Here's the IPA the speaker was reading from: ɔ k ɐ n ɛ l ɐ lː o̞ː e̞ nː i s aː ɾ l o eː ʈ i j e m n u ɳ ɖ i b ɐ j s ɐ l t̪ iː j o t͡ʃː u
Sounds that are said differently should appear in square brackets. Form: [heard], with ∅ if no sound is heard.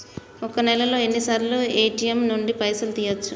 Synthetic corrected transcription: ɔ k ɐ n ɛ l ɐ [l] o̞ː e̞ nː i s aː ɾ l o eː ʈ i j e m n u ɳ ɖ i [p] ɐ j s ɐ l t̪ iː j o t͡ʃː u